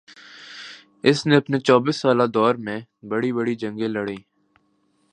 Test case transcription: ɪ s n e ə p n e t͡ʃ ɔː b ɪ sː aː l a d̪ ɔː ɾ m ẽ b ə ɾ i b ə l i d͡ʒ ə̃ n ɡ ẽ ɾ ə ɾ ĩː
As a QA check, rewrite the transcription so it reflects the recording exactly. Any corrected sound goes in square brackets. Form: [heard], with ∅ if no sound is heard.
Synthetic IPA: ɪ s n e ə p n e t͡ʃ ɔː b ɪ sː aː l a d̪ ɔː ɾ m ẽ b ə [ɽ] i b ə [ɽ] i d͡ʒ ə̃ [ŋ] ɡ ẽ [l] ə [ɽ] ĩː